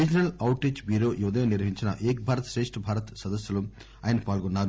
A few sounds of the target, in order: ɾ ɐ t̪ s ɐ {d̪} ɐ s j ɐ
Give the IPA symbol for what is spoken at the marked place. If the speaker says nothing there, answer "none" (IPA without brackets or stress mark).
d̪